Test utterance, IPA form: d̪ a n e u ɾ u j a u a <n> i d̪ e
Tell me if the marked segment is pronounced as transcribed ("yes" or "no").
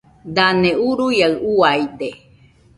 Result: no